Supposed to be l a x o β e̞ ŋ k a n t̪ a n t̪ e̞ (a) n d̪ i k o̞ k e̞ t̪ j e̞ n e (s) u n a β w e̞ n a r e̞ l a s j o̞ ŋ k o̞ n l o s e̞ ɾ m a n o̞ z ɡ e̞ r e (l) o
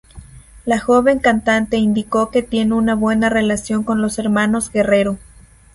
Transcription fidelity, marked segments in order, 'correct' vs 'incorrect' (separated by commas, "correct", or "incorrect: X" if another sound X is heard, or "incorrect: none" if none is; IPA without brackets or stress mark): incorrect: i, incorrect: none, incorrect: ɾ